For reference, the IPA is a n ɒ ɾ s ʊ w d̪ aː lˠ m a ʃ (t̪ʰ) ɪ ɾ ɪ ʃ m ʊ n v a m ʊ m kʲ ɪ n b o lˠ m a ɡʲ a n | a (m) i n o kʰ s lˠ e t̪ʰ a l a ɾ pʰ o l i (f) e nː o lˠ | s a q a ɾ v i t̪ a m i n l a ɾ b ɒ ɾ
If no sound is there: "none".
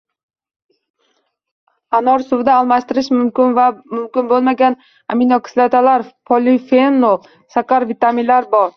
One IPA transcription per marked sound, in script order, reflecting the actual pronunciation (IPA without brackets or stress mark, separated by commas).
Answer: t̪, m, f